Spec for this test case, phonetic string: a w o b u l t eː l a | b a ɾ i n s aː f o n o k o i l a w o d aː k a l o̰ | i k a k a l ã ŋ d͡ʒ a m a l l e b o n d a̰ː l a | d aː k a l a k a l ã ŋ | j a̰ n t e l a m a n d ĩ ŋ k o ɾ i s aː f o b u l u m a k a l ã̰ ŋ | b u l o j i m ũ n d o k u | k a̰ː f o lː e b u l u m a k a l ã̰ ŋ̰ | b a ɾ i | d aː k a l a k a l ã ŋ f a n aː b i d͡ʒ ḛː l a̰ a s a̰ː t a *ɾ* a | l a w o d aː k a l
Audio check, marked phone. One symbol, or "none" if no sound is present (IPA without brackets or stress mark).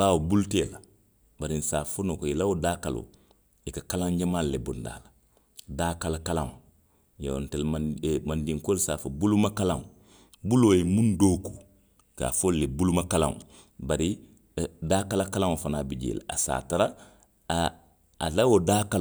ɾ